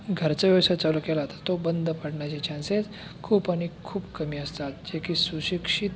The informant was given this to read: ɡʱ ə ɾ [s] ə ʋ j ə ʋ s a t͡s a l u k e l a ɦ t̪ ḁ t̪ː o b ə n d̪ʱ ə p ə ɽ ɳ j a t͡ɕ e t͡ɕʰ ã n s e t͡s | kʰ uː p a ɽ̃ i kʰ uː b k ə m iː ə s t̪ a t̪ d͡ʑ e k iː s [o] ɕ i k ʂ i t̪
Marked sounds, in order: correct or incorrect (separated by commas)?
incorrect, incorrect